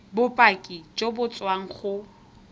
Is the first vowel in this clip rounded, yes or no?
yes